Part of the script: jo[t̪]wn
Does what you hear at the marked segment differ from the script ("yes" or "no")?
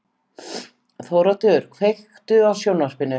yes